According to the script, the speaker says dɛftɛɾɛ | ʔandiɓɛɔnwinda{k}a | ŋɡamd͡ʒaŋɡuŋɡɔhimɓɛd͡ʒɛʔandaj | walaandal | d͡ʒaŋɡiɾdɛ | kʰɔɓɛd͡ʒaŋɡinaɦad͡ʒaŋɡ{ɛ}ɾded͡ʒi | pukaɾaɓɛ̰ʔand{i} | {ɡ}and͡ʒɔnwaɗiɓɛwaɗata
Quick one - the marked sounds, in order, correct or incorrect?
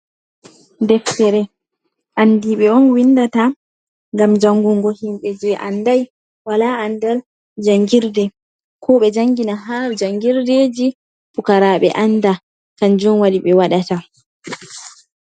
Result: incorrect, incorrect, incorrect, incorrect

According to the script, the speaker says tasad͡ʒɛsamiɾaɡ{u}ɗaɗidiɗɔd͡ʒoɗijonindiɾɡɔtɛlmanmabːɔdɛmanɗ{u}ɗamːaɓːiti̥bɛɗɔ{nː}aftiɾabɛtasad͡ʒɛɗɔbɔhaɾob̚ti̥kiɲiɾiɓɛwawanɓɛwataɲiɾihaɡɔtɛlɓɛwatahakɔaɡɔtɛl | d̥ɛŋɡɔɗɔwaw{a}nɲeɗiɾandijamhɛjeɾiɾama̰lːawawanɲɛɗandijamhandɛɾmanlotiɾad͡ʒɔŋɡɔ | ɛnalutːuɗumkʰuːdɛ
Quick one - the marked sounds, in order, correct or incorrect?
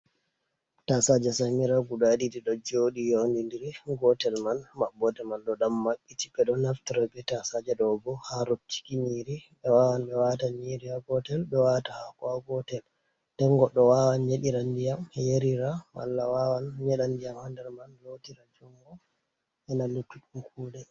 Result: correct, incorrect, incorrect, correct

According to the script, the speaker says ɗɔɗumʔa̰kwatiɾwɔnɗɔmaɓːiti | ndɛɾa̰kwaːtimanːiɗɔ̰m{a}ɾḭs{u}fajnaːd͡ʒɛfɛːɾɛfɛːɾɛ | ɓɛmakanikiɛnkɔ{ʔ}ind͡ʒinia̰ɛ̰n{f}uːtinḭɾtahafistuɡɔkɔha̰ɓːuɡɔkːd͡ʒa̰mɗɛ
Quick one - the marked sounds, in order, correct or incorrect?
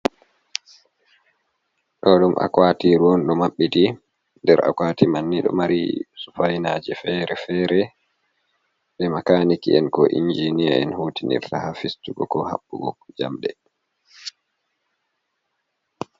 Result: correct, correct, correct, incorrect

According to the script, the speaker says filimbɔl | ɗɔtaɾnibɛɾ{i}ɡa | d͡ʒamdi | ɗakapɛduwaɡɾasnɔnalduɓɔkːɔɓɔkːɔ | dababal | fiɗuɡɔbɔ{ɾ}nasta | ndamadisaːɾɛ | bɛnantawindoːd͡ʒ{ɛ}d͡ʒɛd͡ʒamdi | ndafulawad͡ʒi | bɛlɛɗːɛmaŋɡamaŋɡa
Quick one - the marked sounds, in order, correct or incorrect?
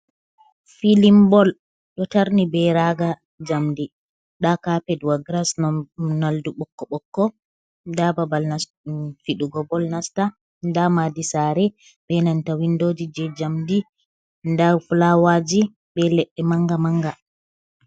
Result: incorrect, incorrect, incorrect

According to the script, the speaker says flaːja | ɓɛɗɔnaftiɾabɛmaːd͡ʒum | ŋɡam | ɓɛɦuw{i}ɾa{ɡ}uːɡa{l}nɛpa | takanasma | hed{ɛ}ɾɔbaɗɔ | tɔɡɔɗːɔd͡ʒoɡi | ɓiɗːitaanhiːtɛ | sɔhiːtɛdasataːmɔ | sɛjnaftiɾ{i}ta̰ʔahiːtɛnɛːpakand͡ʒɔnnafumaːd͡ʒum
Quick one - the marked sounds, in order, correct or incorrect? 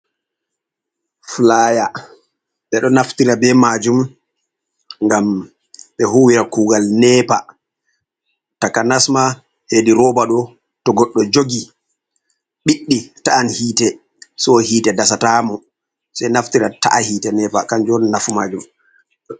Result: correct, incorrect, correct, incorrect, incorrect

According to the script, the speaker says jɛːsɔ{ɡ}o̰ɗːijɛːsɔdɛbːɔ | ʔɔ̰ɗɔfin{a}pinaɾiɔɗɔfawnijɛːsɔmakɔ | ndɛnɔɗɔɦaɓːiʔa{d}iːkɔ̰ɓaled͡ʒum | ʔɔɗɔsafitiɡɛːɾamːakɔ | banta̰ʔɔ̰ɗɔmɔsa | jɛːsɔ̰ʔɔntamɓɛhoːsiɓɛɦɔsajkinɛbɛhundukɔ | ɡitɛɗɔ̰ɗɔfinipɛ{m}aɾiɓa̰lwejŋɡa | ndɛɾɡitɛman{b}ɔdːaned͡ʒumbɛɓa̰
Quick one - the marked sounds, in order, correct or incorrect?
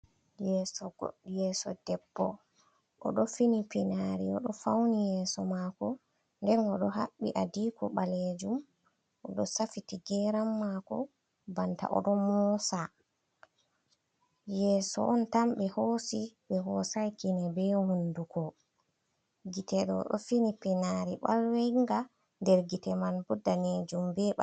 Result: correct, incorrect, correct, incorrect, correct

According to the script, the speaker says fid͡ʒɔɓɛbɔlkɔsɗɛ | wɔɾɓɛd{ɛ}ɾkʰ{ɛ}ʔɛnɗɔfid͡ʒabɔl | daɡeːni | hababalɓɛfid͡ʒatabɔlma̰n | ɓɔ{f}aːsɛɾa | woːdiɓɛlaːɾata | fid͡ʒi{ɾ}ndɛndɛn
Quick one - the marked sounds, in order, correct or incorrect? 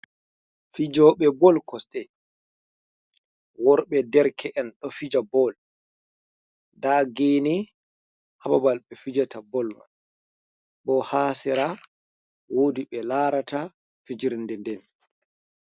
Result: correct, correct, incorrect, correct

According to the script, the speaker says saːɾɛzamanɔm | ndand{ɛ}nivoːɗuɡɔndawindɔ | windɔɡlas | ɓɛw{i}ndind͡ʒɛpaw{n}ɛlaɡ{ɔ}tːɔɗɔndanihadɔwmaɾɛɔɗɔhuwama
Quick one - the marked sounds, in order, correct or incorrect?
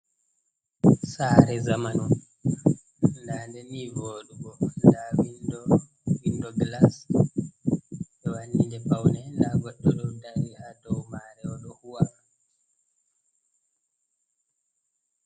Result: correct, incorrect, correct, correct

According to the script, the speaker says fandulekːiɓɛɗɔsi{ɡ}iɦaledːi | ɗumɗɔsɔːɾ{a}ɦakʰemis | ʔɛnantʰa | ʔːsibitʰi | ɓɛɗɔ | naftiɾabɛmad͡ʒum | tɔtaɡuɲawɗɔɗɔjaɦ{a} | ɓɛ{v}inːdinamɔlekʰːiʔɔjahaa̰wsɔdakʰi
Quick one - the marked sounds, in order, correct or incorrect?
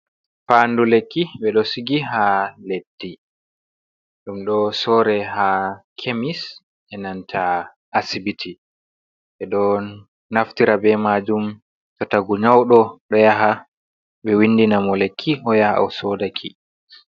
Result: correct, incorrect, correct, incorrect

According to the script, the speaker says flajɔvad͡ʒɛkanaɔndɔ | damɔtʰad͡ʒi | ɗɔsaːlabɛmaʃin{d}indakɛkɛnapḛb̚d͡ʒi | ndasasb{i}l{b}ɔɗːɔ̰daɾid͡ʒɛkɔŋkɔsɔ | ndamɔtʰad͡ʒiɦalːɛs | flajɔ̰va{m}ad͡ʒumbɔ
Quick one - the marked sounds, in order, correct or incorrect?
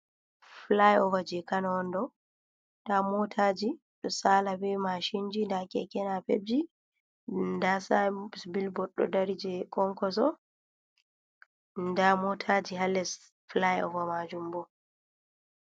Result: incorrect, correct, correct, correct

